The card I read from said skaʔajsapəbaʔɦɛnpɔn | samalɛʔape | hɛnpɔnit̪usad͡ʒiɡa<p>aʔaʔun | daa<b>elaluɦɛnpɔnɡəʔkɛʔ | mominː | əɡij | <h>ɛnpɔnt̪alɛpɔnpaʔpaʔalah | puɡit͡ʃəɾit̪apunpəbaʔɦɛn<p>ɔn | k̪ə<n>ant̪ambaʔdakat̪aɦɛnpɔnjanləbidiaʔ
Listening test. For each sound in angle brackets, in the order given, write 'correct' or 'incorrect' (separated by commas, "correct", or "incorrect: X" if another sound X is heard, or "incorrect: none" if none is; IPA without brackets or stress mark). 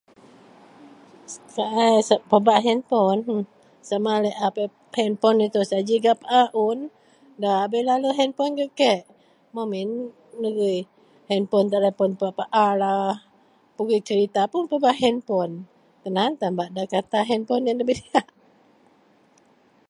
correct, correct, correct, correct, correct